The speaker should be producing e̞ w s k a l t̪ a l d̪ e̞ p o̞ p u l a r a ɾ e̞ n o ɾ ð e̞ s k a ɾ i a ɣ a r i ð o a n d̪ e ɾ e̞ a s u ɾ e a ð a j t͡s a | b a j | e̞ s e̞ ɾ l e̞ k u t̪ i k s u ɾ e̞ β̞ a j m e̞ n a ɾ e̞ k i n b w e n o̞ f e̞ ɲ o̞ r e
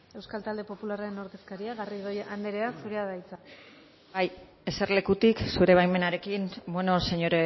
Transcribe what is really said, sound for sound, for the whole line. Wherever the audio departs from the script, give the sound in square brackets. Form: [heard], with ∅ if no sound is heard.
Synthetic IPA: e̞ w s k a l t̪ a l d̪ e̞ p o̞ p u l a r a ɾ e̞ n o ɾ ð e̞ s k a ɾ i a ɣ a r i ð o a n d̪ e ɾ e̞ a s u ɾ e a ð a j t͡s a | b a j | e̞ s e̞ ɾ l e̞ k u t̪ i k s u ɾ e̞ β̞ a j m e̞ n a ɾ e̞ k i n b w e n o̞ [s] e̞ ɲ o̞ [ɾ] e